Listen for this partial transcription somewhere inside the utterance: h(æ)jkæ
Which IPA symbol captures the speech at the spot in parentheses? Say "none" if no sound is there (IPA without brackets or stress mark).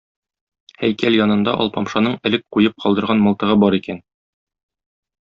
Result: æ